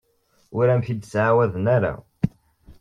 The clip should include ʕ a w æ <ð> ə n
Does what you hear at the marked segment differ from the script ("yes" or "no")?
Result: no